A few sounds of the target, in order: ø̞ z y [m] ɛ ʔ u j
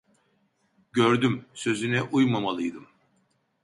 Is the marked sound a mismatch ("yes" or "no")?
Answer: yes